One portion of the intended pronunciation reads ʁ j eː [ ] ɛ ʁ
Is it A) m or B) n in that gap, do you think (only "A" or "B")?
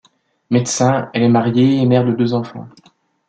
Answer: A